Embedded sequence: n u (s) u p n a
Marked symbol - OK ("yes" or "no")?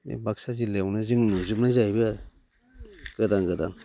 no